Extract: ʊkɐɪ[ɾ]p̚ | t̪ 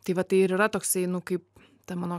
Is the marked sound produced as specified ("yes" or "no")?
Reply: no